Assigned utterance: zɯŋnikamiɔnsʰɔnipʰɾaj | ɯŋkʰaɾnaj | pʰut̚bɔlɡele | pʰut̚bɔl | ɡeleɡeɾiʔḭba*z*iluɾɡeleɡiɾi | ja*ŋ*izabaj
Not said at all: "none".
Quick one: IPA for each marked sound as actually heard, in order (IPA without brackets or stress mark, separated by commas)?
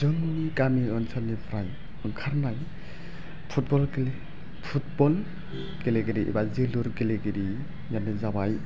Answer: z, n